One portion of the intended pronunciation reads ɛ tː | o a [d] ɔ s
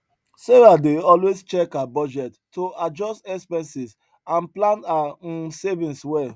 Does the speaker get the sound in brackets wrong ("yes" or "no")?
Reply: yes